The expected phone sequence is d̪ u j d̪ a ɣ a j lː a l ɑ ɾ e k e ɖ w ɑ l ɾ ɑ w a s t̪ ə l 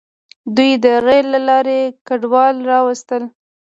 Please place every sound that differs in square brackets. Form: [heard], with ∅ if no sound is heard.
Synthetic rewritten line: d̪ u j d̪ [ə] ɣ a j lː a l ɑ ɾ e k [a] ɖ w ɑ l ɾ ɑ w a s t̪ ə l